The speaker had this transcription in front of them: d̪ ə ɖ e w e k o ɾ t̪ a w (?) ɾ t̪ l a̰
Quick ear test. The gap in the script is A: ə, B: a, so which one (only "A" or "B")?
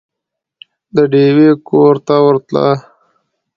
A